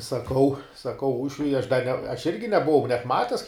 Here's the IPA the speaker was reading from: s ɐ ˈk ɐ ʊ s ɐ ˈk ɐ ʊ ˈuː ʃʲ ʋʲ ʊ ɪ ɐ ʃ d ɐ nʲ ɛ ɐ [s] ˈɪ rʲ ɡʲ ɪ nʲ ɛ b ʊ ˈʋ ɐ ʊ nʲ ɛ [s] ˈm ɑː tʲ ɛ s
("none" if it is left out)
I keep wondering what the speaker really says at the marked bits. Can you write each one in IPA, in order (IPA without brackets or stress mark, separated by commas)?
ʃ, t